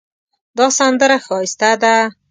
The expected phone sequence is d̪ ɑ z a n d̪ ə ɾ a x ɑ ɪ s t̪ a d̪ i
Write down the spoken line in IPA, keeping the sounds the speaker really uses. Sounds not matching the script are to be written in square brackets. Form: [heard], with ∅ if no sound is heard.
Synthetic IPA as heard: d̪ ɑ [s] a n d̪ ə ɾ a x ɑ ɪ s t̪ a d̪ [a]